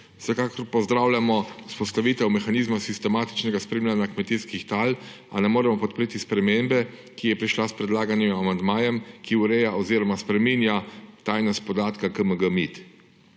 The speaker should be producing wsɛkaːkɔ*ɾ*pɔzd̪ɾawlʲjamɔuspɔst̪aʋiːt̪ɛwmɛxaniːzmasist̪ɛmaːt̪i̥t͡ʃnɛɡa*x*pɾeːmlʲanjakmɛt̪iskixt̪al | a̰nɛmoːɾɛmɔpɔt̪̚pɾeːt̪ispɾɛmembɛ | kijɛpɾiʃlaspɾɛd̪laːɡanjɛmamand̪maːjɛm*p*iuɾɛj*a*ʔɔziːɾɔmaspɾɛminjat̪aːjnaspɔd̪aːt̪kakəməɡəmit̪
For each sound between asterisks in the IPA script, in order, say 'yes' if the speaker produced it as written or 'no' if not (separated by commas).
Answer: yes, no, no, yes